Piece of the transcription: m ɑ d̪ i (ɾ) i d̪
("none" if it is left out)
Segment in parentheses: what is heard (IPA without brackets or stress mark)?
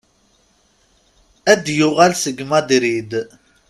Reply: ɾ